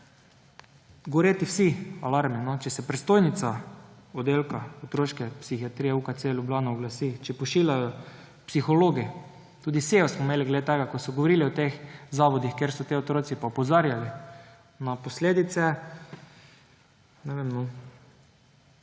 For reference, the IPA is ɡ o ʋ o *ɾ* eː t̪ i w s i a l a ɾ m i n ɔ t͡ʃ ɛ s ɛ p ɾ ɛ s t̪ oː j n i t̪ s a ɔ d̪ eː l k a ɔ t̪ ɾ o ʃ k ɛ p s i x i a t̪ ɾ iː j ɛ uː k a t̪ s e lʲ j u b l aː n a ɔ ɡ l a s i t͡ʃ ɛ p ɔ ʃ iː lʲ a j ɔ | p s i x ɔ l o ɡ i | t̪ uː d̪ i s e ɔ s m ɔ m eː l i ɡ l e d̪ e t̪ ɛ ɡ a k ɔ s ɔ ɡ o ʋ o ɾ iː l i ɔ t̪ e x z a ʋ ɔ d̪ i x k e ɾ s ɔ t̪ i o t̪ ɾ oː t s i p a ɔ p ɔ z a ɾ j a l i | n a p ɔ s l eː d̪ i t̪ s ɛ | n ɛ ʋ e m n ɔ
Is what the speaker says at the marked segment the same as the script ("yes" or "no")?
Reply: yes